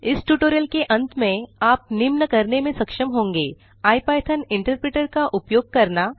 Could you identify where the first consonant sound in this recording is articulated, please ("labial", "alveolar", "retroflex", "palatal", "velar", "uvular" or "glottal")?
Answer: alveolar